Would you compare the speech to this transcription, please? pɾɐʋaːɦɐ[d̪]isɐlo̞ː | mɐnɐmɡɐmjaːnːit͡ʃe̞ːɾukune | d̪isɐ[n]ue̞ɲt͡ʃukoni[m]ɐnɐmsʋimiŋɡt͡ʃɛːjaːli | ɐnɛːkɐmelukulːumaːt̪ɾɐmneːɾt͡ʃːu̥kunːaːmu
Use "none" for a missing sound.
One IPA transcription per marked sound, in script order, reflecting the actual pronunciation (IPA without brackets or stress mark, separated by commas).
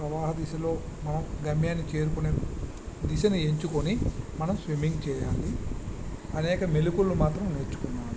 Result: d̪, n, m